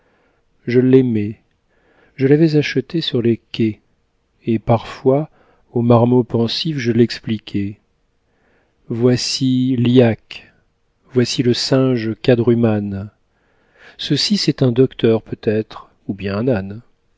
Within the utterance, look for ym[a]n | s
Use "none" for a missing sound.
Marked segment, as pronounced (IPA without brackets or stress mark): a